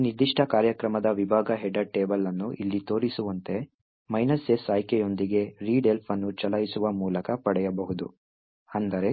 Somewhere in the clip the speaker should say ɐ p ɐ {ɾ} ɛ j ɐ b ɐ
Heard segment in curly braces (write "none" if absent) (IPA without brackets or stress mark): ɽ